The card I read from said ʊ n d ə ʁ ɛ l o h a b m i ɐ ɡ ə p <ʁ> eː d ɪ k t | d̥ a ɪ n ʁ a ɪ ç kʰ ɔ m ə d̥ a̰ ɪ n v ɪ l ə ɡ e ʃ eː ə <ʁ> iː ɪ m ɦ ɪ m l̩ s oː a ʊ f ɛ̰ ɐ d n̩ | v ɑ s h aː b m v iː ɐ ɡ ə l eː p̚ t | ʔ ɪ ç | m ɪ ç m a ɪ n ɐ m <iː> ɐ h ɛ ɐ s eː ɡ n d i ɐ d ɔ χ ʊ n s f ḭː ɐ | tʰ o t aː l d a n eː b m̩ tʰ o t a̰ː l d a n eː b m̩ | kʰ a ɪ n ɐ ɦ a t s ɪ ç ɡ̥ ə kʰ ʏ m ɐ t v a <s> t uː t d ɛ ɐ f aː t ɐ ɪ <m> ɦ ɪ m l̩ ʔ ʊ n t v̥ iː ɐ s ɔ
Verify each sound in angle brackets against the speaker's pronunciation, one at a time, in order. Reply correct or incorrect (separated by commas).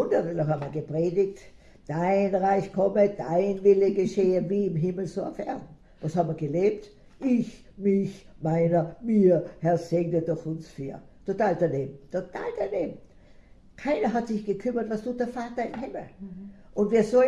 correct, incorrect, correct, correct, correct